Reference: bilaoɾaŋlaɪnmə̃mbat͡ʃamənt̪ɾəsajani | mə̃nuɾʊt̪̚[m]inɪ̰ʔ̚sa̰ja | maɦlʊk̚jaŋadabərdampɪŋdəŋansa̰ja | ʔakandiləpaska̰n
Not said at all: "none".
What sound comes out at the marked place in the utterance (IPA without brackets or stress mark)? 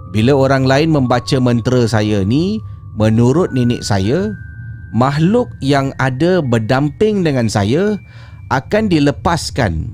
n